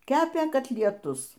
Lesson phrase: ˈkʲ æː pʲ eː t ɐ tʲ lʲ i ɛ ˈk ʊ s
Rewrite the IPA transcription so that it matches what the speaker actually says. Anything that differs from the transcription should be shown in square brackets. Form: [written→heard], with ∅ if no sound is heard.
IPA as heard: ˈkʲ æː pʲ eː [t→k] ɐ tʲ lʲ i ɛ [ˈk→ˈt] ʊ s